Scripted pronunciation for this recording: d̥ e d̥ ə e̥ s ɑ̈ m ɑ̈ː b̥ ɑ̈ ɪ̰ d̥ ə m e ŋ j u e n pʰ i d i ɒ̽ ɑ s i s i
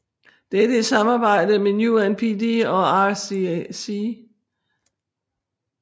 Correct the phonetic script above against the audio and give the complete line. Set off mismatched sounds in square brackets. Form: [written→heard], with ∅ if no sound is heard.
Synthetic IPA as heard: d̥ e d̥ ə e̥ s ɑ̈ m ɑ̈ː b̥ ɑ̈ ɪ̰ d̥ ə m e [ŋ→n] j u [e→æ] n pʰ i d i ɒ̽ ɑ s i s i